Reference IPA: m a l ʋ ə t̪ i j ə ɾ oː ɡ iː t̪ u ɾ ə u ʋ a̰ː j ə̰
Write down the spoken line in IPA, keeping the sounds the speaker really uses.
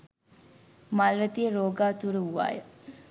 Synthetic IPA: m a l ʋ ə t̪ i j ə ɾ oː ɡ aː t̪ u ɾ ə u ʋ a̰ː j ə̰